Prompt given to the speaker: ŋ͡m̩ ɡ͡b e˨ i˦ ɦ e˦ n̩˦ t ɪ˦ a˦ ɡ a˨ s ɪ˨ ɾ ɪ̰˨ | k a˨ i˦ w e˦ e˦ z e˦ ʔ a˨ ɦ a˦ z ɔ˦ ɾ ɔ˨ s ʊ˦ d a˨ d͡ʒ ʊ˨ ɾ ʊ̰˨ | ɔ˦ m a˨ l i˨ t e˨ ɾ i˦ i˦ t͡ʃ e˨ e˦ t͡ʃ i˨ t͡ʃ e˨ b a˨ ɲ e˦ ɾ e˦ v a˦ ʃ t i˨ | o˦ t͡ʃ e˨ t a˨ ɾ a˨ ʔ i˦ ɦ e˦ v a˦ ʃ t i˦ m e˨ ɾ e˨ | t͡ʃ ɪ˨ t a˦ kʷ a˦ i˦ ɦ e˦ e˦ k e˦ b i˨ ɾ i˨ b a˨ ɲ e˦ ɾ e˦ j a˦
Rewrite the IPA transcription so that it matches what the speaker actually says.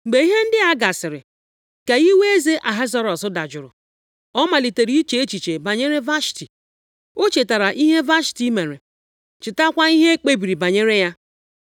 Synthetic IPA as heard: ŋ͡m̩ ɡ͡b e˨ i˦ ɦ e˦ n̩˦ d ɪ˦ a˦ ɡ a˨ s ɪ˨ ɾ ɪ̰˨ | k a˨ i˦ w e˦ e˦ z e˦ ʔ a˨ ɦ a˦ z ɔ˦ ɾ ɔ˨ s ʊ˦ d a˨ d͡ʒ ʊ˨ ɾ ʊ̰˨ | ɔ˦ m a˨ l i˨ t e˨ ɾ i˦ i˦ t͡ʃ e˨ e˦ t͡ʃ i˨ t͡ʃ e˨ b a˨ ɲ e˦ ɾ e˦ v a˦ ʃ t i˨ | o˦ t͡ʃ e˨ t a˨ ɾ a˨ ʔ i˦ ɦ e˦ v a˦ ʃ t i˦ m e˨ ɾ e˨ | t͡ʃ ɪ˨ t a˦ kʷ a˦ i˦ ɦ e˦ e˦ k͡p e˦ b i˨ ɾ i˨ b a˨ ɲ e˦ ɾ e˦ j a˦

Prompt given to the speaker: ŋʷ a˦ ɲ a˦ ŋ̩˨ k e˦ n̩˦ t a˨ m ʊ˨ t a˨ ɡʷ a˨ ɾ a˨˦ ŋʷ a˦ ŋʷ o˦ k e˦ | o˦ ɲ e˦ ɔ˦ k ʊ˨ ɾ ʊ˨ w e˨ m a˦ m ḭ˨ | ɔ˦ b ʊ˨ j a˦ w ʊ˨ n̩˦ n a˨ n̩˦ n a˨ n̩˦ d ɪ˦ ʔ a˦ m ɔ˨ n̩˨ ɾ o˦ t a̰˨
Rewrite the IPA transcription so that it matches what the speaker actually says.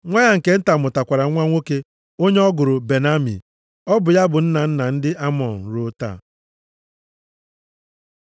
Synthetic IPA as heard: ŋʷ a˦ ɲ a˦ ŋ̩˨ k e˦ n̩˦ t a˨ m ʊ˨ t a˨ kʷ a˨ ɾ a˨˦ ŋʷ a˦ ŋʷ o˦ k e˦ | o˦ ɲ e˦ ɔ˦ ɡ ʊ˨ ɾ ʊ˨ b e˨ n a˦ m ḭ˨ | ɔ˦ b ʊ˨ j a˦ b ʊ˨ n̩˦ n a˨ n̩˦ n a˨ n̩˦ d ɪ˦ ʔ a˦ m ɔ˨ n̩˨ ɾ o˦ t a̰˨

